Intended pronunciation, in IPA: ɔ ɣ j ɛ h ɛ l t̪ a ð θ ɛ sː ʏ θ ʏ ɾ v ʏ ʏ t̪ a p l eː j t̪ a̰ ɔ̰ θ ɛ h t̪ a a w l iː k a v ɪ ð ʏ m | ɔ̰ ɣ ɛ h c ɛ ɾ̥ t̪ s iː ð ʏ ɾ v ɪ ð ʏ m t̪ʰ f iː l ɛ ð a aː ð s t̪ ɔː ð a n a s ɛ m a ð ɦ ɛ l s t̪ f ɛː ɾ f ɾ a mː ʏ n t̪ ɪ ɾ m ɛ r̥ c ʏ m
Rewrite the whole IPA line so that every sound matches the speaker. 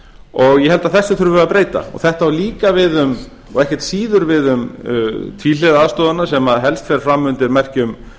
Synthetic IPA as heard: ɔ ɣ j ɛ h ɛ l t̪ a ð θ ɛ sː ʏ θ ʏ ɾ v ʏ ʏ a p ɾ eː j t̪ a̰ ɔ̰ θ ɛ h t̪ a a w l iː k a v ɪ ð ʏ m | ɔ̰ ɣ ɛ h c ɛ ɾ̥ t̪ s iː ð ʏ ɾ v ɪ ð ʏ m t̪ʰ v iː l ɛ ð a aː ð s t̪ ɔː ð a n a s ɛ m a ð ɦ ɛ l s t̪ f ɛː ɾ f ɾ a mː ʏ n t̪ ɪ ɾ m ɛ r̥ c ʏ m